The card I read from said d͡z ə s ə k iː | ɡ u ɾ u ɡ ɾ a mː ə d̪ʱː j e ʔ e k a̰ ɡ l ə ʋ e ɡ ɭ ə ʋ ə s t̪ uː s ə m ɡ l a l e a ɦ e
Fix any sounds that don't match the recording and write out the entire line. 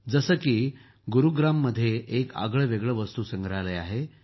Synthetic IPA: d͡z ə s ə k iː | ɡ u ɾ u ɡ ɾ a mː ə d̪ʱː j e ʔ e k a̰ ɡ ɭ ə ʋ e ɡ ɭ ə ʋ ə s t̪ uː s ə ŋ ɡ ɾ a l e a ɦ e